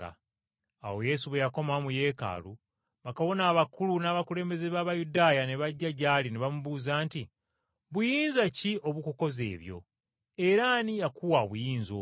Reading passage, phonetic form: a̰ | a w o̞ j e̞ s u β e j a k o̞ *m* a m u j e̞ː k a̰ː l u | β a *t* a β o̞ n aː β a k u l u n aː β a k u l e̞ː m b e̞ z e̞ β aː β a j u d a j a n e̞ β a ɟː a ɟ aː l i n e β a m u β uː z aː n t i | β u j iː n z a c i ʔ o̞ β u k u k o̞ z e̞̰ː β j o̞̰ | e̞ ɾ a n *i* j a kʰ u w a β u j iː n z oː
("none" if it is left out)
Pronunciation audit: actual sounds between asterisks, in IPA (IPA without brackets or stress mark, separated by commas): m, k, i